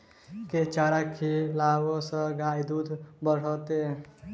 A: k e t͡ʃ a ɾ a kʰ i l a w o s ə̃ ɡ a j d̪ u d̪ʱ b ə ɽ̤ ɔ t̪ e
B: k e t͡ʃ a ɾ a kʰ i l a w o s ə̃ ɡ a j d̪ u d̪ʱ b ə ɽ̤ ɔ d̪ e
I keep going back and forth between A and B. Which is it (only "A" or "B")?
A